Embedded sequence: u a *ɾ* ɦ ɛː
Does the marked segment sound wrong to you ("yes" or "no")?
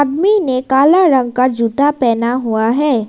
yes